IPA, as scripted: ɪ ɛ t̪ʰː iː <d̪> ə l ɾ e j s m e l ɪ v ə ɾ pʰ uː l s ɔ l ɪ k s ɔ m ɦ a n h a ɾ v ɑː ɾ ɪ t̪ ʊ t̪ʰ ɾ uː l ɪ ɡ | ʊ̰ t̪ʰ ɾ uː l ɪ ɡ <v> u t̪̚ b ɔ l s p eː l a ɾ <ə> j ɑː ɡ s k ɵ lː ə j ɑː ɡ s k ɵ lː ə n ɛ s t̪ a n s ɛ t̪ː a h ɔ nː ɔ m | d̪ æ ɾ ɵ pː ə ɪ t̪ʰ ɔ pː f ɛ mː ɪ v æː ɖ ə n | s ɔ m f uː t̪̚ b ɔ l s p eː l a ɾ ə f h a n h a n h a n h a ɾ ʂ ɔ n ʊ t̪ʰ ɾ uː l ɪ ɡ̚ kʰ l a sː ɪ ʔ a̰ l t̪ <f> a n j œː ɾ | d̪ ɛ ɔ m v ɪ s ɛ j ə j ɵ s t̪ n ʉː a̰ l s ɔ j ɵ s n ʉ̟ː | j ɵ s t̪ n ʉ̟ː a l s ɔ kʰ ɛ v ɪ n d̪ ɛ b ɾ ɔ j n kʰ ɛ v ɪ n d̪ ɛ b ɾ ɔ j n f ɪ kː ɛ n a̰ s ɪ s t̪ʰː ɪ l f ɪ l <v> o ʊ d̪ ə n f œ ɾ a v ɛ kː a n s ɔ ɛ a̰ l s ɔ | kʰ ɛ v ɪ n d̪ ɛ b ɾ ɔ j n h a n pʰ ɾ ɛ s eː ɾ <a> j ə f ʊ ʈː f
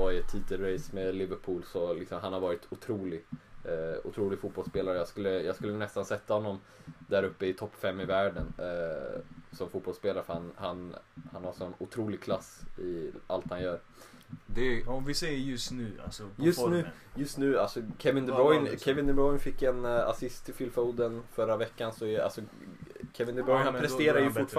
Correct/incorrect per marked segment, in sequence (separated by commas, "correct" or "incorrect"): incorrect, incorrect, correct, incorrect, incorrect, correct